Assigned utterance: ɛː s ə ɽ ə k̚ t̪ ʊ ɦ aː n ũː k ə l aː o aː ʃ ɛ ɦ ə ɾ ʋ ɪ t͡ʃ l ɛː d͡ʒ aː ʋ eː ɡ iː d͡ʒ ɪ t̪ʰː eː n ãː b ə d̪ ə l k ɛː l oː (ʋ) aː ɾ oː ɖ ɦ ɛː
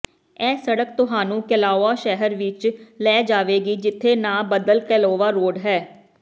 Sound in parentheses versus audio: correct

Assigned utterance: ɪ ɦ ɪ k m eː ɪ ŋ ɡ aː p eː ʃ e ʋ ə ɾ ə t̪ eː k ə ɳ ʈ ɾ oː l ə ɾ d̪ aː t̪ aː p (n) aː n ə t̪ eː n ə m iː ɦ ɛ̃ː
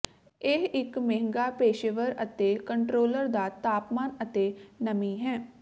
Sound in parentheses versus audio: incorrect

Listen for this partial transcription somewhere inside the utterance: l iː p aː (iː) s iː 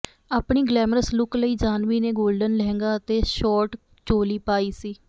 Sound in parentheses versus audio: correct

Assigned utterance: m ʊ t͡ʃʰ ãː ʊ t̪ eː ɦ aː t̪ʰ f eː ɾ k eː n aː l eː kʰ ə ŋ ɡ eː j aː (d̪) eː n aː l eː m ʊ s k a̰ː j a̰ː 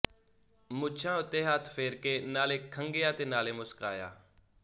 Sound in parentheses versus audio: incorrect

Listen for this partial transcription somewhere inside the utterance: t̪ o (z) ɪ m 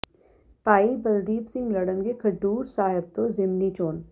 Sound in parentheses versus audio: correct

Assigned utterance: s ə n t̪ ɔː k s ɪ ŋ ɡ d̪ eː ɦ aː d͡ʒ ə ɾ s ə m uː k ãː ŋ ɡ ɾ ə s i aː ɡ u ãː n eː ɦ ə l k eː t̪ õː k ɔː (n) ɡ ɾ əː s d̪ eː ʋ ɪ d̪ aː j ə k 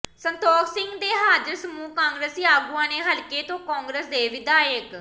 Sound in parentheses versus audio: incorrect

